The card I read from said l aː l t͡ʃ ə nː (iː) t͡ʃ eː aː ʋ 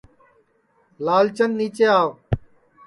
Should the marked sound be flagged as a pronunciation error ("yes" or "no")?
no